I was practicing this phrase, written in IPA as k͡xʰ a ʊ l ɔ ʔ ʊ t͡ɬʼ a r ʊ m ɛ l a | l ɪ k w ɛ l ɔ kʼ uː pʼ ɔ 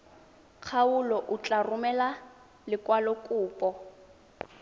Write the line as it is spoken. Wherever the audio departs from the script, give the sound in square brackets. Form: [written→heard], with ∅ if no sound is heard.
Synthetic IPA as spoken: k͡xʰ a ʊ l ɔ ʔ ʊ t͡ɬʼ a r ʊ m ɛ l a | l ɪ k w [ɛ→a] l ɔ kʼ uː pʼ ɔ